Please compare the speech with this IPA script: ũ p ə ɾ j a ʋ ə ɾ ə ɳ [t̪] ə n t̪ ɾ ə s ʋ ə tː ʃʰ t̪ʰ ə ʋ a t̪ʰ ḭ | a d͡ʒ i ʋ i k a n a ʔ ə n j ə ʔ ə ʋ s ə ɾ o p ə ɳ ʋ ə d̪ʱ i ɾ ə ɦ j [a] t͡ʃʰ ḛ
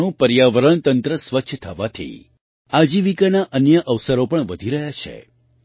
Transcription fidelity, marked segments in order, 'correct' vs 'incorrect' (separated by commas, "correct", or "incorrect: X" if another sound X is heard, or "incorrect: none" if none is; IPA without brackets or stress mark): correct, correct